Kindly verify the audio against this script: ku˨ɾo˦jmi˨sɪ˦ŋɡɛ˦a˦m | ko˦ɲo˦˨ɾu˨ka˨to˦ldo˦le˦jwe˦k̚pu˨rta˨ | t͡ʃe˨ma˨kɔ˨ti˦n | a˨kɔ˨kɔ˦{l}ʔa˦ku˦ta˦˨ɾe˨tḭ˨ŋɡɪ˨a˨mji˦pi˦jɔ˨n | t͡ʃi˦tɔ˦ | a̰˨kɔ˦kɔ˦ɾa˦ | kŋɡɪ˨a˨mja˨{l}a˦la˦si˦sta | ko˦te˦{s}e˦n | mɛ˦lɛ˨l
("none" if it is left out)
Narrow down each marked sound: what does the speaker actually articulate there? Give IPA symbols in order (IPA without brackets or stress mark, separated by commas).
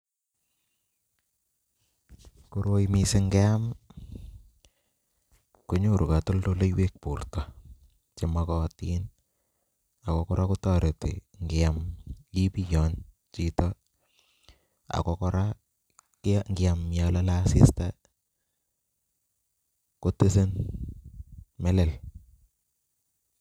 ɾ, l, s